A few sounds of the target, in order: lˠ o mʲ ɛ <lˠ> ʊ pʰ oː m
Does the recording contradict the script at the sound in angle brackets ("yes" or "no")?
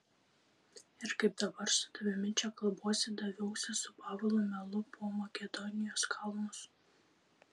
no